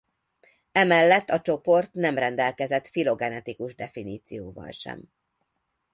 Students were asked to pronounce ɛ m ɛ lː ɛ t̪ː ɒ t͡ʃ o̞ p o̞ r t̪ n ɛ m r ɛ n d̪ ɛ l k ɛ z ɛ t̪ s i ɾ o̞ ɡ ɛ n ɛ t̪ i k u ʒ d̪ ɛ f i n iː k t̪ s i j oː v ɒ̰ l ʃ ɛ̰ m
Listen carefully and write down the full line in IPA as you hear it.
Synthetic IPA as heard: ɛ m ɛ lː ɛ t̪ː ɒ t͡ʃ o̞ p o̞ r t̪ n ɛ m r ɛ n d̪ ɛ l k ɛ z ɛ t̪ f i l o̞ ɡ ɛ n ɛ t̪ i k u ʒ d̪ ɛ f i n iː t̪ s i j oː v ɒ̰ l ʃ ɛ̰ m